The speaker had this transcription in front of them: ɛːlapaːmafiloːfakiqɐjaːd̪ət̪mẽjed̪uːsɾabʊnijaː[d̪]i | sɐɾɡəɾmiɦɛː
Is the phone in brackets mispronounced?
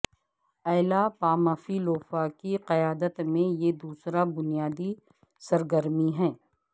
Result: no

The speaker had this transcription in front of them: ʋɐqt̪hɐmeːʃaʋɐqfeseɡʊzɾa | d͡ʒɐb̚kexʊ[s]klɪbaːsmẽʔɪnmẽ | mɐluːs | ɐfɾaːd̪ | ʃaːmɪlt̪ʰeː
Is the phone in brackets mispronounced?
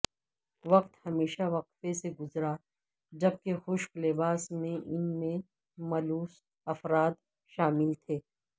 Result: yes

